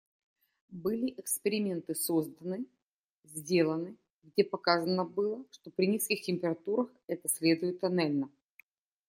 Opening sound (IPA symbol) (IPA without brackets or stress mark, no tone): b